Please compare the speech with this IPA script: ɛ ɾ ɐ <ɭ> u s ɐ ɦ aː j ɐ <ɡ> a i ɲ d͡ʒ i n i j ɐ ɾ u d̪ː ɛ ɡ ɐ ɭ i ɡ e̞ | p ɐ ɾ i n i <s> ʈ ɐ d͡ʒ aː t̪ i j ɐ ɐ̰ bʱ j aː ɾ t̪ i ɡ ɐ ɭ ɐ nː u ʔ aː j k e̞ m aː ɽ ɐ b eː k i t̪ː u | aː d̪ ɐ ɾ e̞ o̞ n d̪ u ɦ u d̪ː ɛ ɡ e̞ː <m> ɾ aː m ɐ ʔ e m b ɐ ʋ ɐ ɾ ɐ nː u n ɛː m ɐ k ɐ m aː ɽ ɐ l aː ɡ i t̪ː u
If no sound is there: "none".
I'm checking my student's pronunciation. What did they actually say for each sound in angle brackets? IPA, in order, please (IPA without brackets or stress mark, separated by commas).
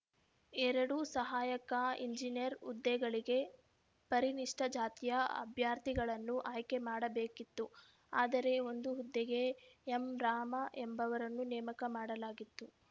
ɽ, k, ʂ, m